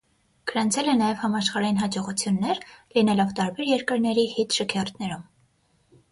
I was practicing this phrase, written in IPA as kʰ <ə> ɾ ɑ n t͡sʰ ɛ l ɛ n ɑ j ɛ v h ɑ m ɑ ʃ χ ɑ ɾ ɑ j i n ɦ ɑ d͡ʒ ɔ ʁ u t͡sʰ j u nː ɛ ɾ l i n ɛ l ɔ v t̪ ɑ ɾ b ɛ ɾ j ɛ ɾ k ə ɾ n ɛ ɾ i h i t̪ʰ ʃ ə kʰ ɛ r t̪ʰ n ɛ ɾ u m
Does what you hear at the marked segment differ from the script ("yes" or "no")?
no